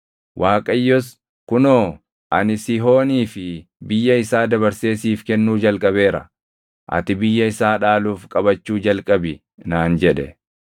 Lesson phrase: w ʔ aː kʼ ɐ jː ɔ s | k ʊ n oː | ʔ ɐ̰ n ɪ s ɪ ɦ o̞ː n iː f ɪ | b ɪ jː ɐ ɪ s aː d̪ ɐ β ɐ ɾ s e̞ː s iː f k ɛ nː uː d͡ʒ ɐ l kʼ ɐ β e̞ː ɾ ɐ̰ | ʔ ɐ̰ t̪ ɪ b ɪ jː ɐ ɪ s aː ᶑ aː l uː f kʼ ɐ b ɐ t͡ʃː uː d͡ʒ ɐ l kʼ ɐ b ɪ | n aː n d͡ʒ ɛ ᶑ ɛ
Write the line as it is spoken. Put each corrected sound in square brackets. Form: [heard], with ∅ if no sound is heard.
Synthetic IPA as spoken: w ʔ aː kʼ ɐ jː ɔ s | k ʊ n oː | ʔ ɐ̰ n ɪ s ɪ ɦ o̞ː n iː f ɪ | b ɪ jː ɐ ɪ s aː d̪ ɐ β ɐ ɾ s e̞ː s iː f k ɛ nː uː d͡ʒ ɐ l kʼ ɐ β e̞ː ɾ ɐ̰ | ʔ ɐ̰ t̪ ɪ b ɪ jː ɐ ɪ s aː ᶑ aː l uː f kʼ ɐ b ɐ t͡ʃː uː d͡ʒ ɐ l kʼ ɐ b ɪ | n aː n d͡ʒ ɛ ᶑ ɛ